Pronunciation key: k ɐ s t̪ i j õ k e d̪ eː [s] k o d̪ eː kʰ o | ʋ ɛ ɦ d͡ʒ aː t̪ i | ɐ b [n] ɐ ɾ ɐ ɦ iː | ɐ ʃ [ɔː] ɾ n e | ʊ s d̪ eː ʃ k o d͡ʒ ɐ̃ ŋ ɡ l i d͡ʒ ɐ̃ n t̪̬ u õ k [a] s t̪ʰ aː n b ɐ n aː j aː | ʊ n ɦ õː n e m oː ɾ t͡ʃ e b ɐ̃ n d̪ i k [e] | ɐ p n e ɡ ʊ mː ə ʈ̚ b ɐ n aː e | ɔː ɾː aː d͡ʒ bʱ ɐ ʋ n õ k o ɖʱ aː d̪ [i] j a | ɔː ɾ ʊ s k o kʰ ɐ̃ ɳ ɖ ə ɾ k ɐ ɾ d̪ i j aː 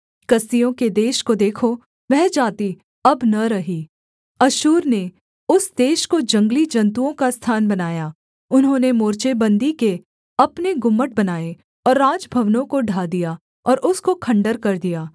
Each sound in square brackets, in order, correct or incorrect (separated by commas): incorrect, correct, incorrect, correct, correct, correct